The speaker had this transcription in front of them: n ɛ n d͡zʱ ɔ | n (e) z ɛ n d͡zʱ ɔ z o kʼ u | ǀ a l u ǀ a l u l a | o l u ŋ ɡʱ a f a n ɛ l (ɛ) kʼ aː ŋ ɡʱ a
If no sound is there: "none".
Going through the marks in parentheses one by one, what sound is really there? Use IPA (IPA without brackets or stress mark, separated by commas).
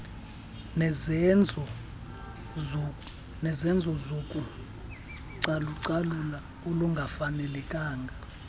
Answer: ɛ, ɛ